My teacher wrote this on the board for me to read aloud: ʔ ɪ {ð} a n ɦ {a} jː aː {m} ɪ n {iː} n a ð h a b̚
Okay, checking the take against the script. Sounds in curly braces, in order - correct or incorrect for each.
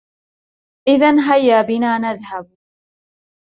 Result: correct, correct, incorrect: b, incorrect: aː

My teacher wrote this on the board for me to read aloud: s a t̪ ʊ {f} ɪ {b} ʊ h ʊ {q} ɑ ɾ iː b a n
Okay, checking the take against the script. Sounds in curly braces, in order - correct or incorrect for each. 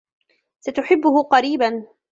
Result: incorrect: ħ, incorrect: bː, correct

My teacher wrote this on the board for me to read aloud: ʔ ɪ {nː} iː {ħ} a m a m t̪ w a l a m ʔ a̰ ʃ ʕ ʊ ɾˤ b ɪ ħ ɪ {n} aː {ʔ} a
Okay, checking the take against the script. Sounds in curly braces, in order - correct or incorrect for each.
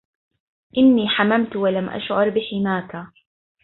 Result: correct, correct, incorrect: m, incorrect: k

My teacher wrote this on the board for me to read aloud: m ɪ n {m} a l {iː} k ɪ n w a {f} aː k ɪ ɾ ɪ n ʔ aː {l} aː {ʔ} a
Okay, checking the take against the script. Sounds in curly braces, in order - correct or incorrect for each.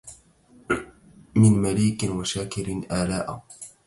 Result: correct, correct, incorrect: ʃ, correct, correct

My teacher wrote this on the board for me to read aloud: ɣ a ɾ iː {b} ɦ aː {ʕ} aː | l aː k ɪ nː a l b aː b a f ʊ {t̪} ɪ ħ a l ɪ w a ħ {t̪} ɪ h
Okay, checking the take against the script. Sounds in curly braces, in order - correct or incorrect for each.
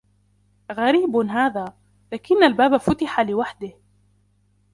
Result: correct, incorrect: ð, correct, incorrect: d̪

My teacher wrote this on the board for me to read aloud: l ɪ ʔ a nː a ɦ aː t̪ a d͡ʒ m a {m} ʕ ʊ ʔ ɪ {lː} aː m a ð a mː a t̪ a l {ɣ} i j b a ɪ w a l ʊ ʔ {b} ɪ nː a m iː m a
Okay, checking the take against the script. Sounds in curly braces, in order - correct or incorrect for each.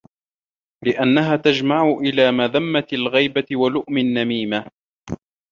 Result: incorrect: none, incorrect: l, correct, incorrect: m

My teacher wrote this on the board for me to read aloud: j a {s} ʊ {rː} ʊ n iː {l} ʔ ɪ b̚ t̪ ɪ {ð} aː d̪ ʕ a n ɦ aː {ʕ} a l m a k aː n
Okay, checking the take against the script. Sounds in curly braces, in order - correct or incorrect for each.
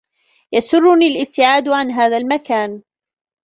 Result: correct, correct, correct, incorrect: ʕ, incorrect: ð

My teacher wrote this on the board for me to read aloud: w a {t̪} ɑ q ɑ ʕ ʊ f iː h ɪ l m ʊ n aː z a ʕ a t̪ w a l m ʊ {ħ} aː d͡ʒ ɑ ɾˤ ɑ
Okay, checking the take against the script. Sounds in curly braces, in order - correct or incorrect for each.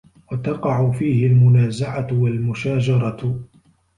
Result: correct, incorrect: ʃ

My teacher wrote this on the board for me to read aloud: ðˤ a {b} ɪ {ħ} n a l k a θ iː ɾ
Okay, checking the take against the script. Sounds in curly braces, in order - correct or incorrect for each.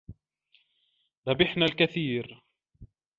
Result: correct, correct

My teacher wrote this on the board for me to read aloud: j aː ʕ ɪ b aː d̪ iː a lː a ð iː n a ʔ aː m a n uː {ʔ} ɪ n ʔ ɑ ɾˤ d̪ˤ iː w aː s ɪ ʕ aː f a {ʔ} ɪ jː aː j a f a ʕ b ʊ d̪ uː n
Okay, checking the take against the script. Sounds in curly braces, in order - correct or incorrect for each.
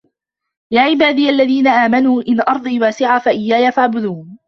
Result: correct, correct

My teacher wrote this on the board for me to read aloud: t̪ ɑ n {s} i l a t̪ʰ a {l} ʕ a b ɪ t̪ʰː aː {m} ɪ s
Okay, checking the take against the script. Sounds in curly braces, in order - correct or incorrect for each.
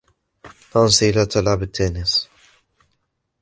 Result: correct, correct, incorrect: n

